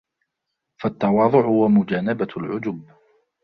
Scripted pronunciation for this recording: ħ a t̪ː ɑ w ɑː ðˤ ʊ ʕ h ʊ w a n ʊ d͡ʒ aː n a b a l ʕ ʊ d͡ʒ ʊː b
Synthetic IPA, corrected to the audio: f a t̪ː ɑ w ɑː ðˤ ʊ ʕ h ʊ w a m ʊ d͡ʒ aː n a b a l ʕ ʊ d͡ʒ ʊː b